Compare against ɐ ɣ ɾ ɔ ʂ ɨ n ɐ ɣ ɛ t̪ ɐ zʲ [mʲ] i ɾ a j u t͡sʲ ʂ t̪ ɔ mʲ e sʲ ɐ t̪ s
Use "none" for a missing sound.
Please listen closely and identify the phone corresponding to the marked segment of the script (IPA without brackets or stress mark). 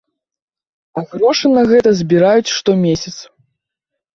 bʲ